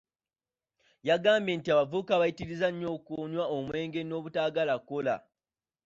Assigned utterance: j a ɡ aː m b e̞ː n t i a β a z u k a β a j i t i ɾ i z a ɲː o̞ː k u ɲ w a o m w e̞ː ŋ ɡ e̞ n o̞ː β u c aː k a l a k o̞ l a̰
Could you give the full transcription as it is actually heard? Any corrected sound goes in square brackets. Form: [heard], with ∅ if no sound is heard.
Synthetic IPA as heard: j a ɡ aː m b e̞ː n t i a β a [v] u k a β a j i t i ɾ i z a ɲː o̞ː k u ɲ w a o m w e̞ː ŋ ɡ e̞ n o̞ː β u [t] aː [ɡ] a l a k o̞ l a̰

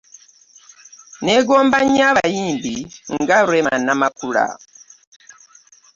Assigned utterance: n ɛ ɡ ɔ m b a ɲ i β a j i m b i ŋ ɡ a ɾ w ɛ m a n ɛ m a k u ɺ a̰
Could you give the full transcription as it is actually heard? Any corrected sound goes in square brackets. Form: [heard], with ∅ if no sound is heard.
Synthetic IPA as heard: n ɛ ɡ ɔ m b a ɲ [a] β a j i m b i ŋ ɡ a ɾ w ɛ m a n [a] m a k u ɺ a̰

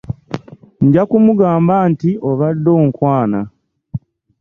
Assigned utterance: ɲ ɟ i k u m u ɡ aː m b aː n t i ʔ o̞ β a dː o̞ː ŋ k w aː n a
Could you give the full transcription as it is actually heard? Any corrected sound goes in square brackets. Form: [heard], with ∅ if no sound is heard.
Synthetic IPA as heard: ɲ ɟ [a] k u m u ɡ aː m b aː n t i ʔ o̞ β a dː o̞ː ŋ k w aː n a

